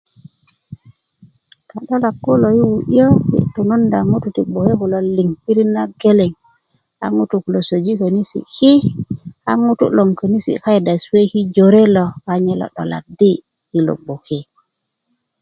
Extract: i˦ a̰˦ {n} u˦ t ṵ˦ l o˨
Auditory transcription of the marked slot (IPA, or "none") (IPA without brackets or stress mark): ŋ